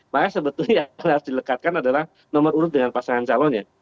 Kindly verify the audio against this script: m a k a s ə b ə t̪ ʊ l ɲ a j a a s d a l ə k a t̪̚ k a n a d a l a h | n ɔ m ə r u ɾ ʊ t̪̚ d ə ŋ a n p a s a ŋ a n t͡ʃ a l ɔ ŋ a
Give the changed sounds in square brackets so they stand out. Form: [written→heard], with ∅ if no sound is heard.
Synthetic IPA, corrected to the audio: m a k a s ə b ə t̪ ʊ l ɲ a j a a s d [a→i] l ə k a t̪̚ k a n a d a l a h | n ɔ m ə r u ɾ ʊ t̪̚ d ə ŋ a n p a s a ŋ a n t͡ʃ a l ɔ [ŋ→ɲ] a